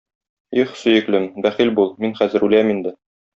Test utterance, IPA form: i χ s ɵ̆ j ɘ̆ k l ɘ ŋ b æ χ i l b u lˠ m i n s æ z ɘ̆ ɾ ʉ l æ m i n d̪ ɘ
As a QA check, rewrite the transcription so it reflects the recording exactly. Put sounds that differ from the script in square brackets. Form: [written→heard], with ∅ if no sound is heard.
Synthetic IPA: i χ s ɵ̆ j ɘ̆ k l ɘ [ŋ→m] b æ χ i l b u lˠ m i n [s→χ] æ z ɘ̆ ɾ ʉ l æ m i n d̪ ɘ